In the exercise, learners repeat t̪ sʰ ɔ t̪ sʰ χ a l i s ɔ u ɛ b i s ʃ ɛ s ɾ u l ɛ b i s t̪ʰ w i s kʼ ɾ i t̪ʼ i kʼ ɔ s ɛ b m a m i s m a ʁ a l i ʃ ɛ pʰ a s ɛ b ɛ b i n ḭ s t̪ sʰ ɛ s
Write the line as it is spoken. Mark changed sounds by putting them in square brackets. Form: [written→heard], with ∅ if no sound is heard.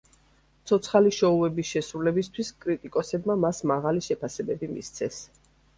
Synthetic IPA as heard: t̪ sʰ ɔ t̪ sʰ χ a l i [s→ʃ] ɔ u ɛ b i s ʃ ɛ s ɾ u l ɛ b i s t̪ʰ w i s kʼ ɾ i t̪ʼ i kʼ ɔ s ɛ b m a m [i→a] s m a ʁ a l i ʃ ɛ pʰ a s ɛ b ɛ b i [n→m] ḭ s t̪ sʰ ɛ s